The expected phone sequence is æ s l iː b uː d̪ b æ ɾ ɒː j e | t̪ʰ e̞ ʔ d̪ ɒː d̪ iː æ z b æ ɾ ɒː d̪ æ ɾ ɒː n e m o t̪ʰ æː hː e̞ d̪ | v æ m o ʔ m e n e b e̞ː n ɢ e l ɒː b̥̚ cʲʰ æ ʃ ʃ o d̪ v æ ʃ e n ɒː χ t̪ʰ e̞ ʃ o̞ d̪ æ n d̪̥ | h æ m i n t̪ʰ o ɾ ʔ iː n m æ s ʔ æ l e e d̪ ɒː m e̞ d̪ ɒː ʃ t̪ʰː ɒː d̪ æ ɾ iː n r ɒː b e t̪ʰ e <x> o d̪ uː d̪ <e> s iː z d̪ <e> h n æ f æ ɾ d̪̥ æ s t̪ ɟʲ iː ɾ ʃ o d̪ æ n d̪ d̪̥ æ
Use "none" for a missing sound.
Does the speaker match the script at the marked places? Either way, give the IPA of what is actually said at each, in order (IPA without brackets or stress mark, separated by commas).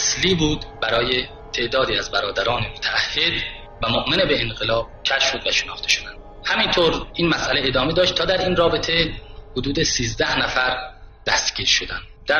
h, e, æ